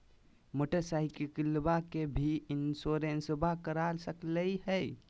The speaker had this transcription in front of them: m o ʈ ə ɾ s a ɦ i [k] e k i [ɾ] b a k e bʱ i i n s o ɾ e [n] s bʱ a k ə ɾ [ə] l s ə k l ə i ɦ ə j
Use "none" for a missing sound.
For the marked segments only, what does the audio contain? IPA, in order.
k, l, n, a

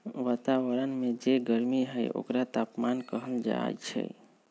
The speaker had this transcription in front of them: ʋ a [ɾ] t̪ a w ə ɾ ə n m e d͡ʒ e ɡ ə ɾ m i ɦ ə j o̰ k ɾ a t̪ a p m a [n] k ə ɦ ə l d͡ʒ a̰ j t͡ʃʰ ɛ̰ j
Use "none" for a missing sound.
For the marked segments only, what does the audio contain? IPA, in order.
none, n

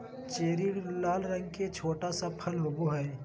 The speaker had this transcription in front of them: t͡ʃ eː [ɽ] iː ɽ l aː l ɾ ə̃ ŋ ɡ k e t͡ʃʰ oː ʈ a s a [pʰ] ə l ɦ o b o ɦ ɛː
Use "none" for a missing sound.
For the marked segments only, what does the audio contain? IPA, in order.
ɾ, pʰ

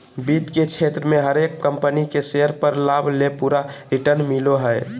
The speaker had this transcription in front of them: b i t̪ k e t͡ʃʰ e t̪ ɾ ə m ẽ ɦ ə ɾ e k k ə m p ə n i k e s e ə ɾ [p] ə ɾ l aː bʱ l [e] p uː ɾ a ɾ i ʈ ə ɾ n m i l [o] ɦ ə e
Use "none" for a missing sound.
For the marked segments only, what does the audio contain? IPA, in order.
p, e, o

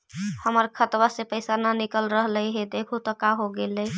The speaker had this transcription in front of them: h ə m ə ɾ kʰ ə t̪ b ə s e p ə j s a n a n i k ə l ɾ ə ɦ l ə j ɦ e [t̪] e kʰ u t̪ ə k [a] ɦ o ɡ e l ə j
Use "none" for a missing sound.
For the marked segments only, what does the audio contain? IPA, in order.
d̪, a

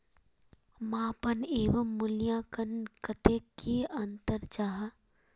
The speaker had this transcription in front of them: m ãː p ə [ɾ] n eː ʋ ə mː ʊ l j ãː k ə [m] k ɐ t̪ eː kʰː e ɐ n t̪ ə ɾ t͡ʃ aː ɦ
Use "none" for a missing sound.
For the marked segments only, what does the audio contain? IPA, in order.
none, n

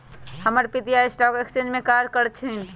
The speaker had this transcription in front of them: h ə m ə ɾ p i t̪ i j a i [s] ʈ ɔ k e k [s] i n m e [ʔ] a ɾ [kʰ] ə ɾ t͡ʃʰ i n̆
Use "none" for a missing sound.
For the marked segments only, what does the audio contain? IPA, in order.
s, s, k, k

